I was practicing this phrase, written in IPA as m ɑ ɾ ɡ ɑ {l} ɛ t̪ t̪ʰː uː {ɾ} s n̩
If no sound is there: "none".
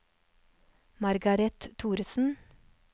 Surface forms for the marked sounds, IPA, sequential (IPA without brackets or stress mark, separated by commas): ɾ, ɾ